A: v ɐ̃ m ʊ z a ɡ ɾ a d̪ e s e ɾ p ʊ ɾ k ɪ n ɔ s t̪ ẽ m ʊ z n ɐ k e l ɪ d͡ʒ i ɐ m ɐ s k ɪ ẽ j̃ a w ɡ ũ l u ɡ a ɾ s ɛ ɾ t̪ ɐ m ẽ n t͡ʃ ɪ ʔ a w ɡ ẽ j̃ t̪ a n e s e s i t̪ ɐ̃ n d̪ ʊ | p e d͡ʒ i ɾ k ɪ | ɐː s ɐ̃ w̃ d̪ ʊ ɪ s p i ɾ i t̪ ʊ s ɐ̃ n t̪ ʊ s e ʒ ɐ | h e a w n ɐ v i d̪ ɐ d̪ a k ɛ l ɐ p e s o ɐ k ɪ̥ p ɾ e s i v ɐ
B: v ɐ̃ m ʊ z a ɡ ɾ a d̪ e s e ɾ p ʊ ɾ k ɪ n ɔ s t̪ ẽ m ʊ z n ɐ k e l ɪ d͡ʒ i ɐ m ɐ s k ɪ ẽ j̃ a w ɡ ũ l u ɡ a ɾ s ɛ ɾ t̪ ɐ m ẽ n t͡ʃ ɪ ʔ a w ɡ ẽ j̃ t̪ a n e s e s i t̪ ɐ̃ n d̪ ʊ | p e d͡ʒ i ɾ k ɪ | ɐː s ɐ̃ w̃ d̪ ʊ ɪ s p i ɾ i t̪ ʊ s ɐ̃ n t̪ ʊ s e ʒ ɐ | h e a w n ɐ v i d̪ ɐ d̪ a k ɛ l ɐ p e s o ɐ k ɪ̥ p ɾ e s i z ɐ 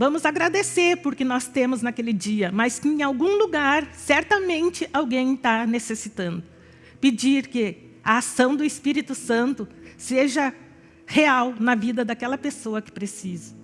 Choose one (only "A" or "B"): B